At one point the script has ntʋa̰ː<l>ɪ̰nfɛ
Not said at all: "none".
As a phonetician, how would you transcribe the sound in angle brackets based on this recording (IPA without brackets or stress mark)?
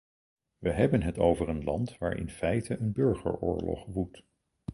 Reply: ɹ